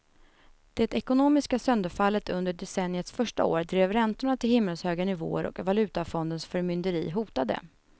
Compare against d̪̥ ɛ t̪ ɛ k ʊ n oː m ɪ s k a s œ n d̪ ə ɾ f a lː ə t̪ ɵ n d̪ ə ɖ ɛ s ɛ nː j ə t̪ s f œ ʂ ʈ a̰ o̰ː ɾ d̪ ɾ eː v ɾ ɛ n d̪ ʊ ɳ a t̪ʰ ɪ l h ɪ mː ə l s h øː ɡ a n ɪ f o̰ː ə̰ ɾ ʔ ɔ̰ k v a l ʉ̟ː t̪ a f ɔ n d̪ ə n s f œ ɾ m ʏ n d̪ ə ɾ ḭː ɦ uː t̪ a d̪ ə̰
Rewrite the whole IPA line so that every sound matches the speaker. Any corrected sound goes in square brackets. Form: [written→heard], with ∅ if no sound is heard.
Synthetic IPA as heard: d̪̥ ɛ t̪ ɛ k ʊ n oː m ɪ s k a s œ n d̪ ə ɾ f a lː ə t̪ ɵ n d̪ ə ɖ ɛ s ɛ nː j ə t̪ s f œ ʂ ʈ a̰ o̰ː ɾ d̪ ɾ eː v ɾ ɛ n [d̪→t̪] ʊ ɳ a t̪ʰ ɪ l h ɪ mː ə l s h øː ɡ a n ɪ [f→v] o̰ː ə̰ ɾ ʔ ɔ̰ k v a l ʉ̟ː t̪ a f ɔ n d̪ ə n s f œ ɾ m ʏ n d̪ ə ɾ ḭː ɦ uː t̪ a d̪ ə̰